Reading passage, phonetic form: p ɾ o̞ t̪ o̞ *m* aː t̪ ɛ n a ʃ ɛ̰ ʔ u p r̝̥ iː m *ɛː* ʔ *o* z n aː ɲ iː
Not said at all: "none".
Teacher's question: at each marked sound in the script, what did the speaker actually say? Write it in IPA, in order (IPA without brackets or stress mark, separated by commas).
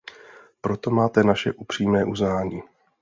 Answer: m, ɛː, u